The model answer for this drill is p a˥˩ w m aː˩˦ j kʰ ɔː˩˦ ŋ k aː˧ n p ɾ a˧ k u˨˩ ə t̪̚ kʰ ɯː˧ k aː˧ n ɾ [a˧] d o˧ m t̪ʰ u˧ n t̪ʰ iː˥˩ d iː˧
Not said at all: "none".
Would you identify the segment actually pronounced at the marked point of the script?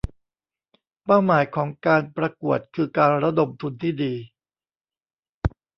a˦˥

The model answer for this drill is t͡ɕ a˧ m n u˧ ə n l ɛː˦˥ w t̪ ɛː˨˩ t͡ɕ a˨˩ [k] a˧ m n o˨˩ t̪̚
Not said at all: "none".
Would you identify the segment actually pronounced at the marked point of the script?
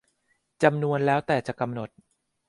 k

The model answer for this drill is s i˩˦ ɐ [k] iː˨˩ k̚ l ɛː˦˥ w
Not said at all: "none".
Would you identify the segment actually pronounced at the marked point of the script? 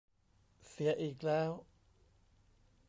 ʔ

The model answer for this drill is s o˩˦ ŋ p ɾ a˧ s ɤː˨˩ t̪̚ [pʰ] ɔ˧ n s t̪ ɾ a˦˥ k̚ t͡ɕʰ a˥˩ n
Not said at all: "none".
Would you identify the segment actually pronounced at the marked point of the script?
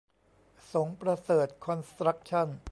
kʰ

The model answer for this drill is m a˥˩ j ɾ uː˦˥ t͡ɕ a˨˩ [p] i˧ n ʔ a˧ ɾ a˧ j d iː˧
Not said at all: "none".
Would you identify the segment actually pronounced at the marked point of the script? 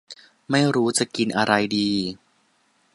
k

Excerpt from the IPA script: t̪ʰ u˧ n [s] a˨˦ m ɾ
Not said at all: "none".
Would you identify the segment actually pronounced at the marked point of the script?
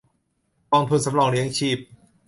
s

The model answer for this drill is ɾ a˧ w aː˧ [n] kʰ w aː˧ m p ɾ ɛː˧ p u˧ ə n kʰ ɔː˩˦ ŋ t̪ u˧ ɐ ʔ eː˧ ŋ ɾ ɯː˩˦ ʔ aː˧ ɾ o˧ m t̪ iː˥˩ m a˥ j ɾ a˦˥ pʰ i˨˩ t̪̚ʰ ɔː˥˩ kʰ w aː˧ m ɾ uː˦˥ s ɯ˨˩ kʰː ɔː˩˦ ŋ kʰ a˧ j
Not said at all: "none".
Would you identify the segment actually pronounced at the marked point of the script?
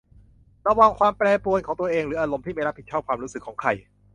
ŋ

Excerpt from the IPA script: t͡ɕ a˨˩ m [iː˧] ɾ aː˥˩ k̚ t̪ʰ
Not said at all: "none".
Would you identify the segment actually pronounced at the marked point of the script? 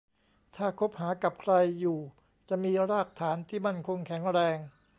iː˧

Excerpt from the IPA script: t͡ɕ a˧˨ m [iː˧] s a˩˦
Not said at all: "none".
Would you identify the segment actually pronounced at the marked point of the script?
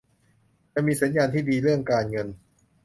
iː˧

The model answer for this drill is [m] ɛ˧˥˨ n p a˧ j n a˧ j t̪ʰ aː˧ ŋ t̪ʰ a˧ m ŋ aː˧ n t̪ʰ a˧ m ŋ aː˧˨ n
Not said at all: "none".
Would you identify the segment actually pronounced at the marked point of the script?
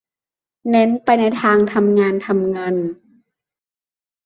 n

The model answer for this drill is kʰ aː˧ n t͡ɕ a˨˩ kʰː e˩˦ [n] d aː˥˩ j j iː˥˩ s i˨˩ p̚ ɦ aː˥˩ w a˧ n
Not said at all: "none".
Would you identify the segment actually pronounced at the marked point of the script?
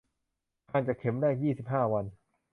m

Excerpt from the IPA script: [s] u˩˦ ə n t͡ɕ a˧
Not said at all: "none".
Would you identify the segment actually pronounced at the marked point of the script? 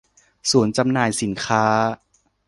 s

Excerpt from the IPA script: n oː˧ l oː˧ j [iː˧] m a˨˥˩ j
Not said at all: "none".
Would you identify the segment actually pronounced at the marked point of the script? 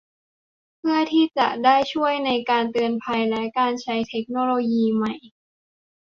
iː˧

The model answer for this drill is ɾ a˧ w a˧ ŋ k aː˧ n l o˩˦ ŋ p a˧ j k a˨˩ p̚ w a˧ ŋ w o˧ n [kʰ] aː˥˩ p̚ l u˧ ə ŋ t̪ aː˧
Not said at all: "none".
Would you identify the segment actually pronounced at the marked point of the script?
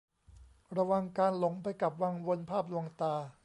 pʰ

